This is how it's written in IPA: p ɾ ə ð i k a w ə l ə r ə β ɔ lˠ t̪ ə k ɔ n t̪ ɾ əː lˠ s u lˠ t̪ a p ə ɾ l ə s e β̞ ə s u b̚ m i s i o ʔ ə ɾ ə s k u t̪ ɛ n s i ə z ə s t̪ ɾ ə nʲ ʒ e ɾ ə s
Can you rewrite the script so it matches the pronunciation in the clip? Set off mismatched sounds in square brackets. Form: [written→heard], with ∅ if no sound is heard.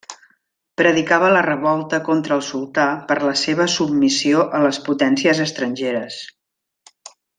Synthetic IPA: p ɾ ə ð i k a [w→β] ə l ə r ə β ɔ lˠ t̪ ə k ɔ n t̪ ɾ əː lˠ s u lˠ t̪ a p ə ɾ l ə s e β̞ ə s u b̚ m i s i o ʔ ə [ɾ→l] ə s [k→p] u t̪ ɛ n s i ə z ə s t̪ ɾ ə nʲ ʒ e ɾ ə s